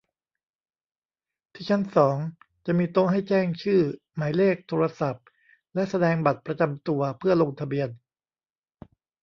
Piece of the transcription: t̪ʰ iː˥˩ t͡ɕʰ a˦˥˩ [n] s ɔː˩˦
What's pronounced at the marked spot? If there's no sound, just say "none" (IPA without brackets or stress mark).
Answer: n